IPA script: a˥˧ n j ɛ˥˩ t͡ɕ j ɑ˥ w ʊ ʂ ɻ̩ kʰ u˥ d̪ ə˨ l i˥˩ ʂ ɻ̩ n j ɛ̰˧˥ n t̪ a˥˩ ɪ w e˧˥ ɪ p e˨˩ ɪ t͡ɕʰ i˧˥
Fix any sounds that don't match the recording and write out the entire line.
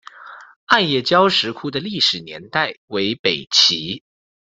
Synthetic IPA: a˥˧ n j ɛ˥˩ t͡ɕ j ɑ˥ ʊ ʂ ɻ̩ kʰ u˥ d̪ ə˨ l i˥˩ ʂ ɻ̩ n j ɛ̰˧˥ n t̪ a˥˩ ɪ w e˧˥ ɪ p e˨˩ ɪ t͡ɕʰ i˧˥